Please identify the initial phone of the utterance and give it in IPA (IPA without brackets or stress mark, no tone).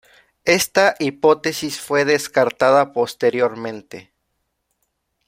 e̞